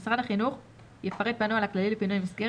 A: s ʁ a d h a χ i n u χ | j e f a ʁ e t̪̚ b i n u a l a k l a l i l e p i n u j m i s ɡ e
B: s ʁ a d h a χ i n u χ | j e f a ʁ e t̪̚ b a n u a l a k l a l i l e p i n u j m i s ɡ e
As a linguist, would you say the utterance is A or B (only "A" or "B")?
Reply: B